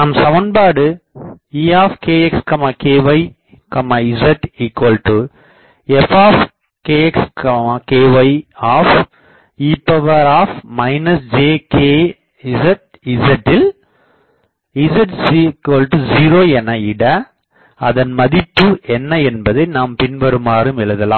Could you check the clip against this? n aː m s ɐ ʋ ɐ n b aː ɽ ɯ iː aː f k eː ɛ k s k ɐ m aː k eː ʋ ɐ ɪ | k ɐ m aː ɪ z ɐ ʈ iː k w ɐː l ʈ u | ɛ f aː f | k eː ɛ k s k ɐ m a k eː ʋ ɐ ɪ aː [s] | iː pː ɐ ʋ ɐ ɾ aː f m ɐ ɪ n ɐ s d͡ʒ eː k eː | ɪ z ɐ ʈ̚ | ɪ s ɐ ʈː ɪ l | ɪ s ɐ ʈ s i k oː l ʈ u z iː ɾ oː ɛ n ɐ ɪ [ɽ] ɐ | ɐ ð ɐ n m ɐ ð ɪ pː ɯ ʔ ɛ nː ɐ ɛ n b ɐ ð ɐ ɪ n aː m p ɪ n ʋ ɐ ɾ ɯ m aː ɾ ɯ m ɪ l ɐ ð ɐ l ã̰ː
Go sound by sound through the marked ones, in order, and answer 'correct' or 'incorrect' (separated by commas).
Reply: incorrect, correct